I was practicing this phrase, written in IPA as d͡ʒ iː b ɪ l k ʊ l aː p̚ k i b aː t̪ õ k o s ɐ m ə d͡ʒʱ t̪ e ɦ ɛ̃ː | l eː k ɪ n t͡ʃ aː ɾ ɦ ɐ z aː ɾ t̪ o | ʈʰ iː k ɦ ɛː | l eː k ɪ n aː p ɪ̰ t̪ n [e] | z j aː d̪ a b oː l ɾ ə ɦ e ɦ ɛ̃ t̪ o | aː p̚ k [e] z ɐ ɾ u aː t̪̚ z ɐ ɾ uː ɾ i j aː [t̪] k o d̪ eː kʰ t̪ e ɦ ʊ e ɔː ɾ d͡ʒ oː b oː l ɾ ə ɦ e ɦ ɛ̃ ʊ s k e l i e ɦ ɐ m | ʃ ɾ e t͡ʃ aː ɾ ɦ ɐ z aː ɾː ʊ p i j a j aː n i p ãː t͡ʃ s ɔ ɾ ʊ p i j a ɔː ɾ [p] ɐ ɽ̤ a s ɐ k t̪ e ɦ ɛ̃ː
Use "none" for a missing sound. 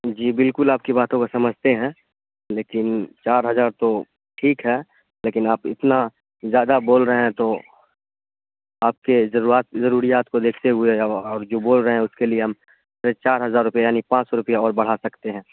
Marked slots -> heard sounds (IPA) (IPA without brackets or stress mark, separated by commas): a, e, t̪, b